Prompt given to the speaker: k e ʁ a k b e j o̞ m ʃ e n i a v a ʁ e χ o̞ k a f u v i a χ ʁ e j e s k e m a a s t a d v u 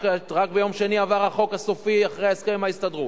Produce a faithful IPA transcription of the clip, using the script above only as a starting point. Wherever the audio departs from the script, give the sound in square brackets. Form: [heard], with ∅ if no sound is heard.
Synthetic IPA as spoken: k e ʁ a k b e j o̞ m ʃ e n i a v a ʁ [a] χ o̞ k a [s] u [f] i a χ ʁ e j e s k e m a [i] s t a d [ʁ] u